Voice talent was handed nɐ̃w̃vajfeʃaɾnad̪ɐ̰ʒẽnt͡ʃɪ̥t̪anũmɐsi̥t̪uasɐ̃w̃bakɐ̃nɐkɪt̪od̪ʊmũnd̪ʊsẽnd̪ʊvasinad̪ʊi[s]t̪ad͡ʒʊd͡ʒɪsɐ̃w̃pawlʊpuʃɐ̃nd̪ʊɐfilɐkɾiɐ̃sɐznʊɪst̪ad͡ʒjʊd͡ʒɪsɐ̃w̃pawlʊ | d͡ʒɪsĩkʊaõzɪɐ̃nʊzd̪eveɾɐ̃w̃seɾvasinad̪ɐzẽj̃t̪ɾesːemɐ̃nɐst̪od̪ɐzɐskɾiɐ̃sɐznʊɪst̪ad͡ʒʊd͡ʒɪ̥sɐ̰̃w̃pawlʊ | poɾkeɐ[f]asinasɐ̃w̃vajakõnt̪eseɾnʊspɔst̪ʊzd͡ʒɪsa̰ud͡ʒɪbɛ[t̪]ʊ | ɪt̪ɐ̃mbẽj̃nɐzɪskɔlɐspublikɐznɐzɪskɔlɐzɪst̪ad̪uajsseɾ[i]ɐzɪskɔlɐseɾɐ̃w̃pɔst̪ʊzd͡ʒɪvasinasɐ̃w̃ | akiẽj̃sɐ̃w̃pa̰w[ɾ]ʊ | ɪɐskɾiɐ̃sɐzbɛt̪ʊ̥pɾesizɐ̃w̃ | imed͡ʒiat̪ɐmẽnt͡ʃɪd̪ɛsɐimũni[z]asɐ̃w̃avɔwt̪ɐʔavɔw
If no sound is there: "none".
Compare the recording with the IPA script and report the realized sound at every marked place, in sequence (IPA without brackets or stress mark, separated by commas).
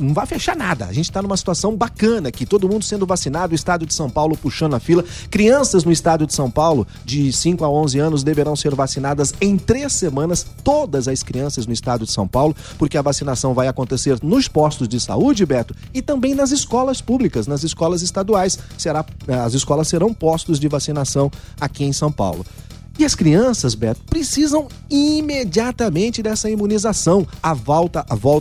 s, v, t̪, a, l, z